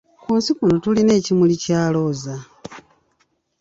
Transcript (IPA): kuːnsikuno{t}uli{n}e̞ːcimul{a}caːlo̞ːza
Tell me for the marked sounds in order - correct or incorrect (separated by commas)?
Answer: correct, correct, incorrect